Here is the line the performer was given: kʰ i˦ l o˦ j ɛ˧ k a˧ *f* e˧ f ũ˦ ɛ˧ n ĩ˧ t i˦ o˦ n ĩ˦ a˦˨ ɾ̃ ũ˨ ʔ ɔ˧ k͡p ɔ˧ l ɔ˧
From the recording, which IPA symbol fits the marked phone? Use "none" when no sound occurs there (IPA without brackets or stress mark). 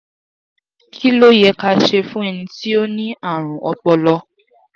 ʃ